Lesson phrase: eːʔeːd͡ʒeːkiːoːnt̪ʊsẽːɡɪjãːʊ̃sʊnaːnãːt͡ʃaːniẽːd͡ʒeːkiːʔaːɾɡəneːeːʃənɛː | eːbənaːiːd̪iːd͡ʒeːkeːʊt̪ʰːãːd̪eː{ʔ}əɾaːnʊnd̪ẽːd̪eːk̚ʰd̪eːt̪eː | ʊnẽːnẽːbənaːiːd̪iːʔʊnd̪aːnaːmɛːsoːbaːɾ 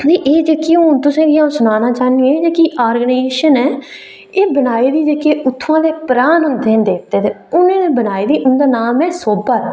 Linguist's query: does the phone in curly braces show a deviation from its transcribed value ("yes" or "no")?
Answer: yes